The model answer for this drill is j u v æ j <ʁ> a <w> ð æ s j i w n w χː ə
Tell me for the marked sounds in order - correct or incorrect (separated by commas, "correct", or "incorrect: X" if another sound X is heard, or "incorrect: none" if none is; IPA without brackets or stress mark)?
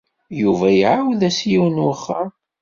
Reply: incorrect: ʕ, correct